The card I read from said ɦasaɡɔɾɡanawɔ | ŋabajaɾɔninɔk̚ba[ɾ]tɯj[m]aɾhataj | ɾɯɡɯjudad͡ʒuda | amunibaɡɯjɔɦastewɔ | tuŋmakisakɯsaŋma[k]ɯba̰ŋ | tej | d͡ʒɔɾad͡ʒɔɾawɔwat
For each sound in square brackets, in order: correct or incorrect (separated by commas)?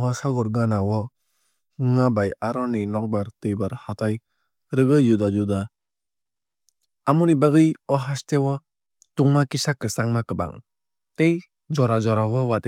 correct, incorrect, correct